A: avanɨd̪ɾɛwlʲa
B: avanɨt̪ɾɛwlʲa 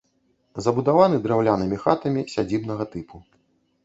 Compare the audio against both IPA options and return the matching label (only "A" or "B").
A